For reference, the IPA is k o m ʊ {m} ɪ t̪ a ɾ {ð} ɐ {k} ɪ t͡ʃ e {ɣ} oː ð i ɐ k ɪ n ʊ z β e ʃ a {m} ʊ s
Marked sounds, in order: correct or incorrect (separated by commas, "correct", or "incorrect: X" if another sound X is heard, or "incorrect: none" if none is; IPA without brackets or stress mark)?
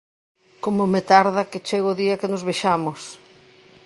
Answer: correct, correct, correct, correct, correct